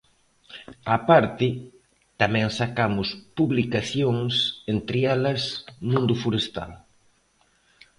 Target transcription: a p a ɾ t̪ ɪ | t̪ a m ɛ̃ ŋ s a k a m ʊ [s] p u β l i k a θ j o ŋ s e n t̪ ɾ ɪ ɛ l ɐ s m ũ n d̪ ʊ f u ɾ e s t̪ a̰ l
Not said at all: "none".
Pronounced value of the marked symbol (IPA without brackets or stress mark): s